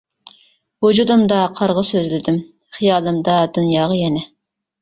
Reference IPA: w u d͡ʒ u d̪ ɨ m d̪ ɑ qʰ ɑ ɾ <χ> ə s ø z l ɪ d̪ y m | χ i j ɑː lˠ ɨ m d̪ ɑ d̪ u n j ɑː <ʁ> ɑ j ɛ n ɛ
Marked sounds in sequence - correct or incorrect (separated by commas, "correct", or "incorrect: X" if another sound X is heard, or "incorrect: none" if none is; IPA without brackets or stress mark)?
incorrect: ʁ, correct